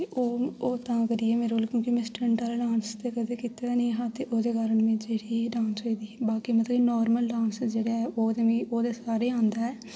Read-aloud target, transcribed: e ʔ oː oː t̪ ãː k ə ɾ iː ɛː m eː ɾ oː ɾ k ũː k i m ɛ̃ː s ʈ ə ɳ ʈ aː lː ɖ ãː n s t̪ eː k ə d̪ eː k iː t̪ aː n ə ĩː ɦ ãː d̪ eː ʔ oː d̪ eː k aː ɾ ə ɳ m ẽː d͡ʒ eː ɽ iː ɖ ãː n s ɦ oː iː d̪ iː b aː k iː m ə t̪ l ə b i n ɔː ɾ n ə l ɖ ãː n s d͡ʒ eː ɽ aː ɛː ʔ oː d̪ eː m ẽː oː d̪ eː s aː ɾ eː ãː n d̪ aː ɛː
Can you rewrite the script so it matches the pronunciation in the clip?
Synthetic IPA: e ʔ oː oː t̪ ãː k ə ɾ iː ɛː m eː ɾ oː l k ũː k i m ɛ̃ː s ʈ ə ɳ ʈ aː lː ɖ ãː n s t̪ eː k ə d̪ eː k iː t̪ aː n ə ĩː ɦ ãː t̪ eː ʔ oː d̪ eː k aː ɾ ə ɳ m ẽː d͡ʒ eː ɽ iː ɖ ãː n s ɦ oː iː d̪ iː b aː k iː m ə t̪ l ə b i n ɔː ɾ m ə l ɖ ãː n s d͡ʒ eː ɽ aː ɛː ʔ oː d̪ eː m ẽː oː d̪ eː s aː ɾ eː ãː n d̪ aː ɛː